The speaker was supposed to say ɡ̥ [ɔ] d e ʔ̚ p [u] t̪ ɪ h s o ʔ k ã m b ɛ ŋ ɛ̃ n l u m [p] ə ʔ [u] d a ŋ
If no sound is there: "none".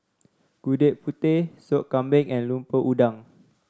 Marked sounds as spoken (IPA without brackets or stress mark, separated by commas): u, u, p, u